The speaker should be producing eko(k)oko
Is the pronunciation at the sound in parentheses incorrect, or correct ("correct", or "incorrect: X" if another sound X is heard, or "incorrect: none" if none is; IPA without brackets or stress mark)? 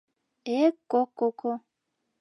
correct